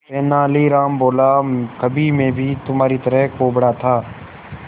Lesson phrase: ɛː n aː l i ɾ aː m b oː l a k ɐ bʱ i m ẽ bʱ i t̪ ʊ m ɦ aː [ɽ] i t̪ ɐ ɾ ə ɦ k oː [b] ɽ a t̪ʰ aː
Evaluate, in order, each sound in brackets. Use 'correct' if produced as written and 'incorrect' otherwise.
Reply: incorrect, correct

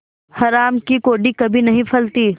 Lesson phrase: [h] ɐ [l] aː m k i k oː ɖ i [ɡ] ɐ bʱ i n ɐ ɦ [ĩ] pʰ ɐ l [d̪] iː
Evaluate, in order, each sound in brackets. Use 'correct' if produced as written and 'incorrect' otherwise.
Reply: correct, incorrect, incorrect, correct, incorrect

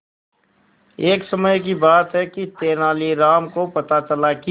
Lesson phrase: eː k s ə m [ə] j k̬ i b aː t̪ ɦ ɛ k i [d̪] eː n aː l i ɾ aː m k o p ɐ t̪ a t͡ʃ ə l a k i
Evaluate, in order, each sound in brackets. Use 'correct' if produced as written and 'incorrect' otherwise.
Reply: correct, incorrect

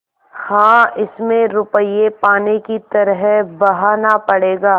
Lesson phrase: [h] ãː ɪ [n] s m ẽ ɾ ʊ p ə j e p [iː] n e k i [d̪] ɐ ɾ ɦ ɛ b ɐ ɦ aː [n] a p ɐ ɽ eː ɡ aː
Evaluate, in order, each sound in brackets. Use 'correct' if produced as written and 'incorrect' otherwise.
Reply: correct, incorrect, incorrect, incorrect, correct

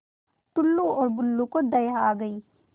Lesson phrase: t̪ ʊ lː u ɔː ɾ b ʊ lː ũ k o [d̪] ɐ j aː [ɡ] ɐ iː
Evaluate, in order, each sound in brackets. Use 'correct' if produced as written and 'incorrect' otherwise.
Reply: correct, correct

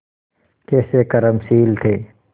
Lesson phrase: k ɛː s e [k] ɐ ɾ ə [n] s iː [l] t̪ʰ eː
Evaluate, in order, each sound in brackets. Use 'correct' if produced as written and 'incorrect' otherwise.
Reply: correct, incorrect, correct

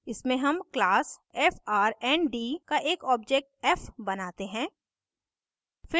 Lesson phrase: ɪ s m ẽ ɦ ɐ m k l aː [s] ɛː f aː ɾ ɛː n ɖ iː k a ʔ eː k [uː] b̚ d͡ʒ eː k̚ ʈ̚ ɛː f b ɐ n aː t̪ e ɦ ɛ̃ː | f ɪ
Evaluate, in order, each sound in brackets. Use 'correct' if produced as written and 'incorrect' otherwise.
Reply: correct, incorrect

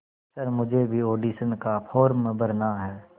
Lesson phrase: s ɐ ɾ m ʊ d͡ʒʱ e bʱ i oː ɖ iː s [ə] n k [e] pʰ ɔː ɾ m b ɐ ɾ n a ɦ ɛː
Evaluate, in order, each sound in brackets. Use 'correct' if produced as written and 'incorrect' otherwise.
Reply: correct, incorrect

